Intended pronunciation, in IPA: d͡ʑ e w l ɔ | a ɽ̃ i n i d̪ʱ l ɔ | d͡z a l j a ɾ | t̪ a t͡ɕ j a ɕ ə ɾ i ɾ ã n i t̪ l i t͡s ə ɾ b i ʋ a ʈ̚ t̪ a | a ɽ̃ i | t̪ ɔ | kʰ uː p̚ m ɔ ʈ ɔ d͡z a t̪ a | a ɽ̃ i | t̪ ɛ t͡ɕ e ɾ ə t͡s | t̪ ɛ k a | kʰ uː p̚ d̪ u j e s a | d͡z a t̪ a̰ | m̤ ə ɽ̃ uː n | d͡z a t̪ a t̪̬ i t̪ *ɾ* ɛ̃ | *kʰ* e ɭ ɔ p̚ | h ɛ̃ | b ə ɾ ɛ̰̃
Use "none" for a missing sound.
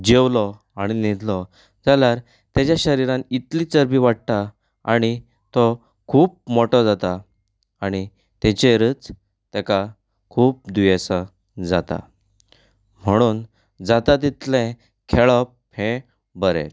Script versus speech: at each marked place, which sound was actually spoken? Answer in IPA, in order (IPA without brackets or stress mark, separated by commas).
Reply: l, kʰ